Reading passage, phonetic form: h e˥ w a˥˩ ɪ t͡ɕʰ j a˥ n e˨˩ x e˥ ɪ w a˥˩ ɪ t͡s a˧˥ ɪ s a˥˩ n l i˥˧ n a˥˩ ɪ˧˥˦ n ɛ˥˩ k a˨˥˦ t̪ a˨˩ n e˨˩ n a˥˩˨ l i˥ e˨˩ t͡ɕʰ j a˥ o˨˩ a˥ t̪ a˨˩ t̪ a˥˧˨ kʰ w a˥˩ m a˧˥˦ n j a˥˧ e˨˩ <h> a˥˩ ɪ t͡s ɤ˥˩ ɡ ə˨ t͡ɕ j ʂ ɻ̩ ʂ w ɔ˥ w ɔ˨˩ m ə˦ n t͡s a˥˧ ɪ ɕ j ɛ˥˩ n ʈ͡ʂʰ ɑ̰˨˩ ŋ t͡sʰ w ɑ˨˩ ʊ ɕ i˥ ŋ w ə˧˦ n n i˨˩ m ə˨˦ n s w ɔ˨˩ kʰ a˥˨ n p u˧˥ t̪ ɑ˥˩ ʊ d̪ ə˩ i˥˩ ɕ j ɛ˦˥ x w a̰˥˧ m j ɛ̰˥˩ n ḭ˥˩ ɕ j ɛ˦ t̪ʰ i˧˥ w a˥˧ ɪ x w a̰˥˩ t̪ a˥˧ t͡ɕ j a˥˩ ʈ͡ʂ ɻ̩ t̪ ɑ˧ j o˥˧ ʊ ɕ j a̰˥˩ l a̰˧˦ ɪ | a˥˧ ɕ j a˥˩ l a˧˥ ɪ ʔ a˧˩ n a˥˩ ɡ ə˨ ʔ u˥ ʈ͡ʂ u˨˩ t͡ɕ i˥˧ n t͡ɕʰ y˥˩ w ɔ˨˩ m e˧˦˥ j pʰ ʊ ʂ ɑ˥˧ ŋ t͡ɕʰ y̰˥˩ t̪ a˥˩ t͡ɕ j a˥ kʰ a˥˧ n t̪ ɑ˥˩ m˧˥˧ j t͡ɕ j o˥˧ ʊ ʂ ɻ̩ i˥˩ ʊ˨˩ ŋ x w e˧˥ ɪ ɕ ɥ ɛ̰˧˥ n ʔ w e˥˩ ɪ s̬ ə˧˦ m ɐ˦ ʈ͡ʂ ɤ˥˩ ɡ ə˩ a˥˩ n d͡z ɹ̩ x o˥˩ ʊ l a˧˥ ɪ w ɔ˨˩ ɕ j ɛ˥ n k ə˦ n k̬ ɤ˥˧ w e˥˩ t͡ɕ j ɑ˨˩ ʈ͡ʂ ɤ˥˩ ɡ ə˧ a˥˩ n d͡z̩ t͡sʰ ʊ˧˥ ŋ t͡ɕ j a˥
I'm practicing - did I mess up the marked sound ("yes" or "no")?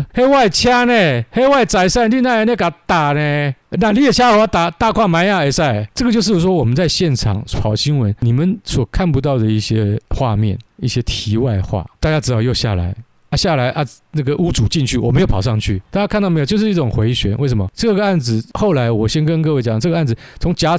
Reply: yes